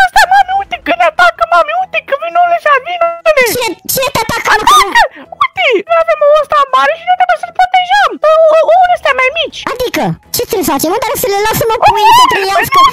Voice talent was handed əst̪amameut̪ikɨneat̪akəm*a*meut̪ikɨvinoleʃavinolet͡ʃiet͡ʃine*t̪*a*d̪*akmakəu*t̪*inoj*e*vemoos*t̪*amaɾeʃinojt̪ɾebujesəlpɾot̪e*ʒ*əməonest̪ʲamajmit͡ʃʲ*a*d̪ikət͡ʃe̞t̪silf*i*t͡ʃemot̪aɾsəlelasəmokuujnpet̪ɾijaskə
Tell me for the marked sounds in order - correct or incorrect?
correct, correct, incorrect: t̪, correct, incorrect: a, correct, correct, correct, incorrect: a

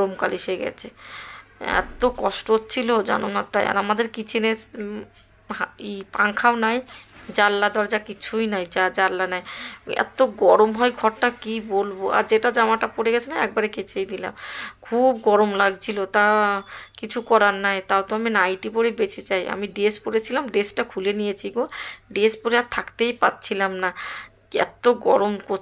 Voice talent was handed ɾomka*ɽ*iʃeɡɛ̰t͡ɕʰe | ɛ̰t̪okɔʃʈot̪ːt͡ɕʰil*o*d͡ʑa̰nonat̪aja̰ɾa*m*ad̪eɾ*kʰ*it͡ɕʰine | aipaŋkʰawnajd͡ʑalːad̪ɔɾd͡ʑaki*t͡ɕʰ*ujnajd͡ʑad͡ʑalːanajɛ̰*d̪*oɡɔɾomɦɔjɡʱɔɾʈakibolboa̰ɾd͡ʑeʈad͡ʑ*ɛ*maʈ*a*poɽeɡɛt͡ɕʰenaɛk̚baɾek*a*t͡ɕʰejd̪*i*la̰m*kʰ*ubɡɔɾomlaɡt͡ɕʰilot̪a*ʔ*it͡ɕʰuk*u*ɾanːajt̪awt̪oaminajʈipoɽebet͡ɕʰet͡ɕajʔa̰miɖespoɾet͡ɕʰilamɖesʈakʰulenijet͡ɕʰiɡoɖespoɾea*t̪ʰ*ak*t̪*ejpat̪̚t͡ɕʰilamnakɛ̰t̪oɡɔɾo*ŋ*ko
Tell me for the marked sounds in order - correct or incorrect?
incorrect: l, correct, correct, incorrect: k, correct, incorrect: t̪, incorrect: a, correct, incorrect: e, correct, correct, incorrect: k, incorrect: ɔ, correct, correct, incorrect: m

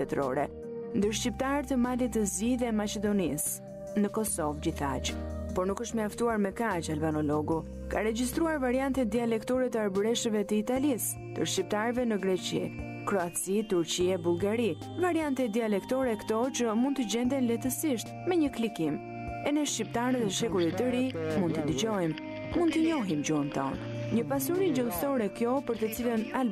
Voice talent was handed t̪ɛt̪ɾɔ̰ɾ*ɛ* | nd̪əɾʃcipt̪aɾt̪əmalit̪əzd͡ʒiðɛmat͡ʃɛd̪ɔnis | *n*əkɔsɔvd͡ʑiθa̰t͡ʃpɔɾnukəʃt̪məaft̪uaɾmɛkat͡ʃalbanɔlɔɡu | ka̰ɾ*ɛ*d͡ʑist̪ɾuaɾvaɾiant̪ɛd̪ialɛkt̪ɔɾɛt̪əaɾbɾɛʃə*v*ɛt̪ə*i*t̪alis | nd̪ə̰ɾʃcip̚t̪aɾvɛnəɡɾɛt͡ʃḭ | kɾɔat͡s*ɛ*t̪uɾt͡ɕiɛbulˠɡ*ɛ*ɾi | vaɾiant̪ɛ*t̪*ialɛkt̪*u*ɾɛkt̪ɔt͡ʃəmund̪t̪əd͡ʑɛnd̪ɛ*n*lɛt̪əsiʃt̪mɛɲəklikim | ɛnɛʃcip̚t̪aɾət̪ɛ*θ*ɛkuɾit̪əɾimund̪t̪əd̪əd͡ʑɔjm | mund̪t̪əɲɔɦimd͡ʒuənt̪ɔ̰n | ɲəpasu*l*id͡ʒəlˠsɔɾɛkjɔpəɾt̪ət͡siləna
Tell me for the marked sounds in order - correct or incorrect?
correct, correct, correct, correct, correct, incorrect: i, incorrect: a, incorrect: d̪, incorrect: ɔ, correct, incorrect: ʃ, incorrect: ɾ

